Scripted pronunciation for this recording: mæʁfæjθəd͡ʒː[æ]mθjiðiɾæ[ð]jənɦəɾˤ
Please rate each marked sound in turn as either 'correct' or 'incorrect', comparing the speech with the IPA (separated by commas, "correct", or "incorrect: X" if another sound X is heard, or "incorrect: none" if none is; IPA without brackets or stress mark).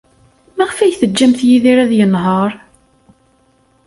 correct, correct